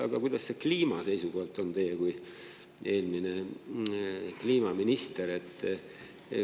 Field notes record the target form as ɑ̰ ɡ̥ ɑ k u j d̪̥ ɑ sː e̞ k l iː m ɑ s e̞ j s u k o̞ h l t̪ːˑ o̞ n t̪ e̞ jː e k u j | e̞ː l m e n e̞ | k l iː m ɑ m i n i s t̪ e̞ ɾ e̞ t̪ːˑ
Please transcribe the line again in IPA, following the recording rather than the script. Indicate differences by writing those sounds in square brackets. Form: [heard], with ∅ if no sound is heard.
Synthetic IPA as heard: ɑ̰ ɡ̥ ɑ k u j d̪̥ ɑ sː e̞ k l iː m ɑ s e̞ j s u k o̞ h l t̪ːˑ o̞ n t̪ e̞ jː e k u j | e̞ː l m [i] n e̞ | k l iː m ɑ m i n i s t̪ e̞ ɾ e̞ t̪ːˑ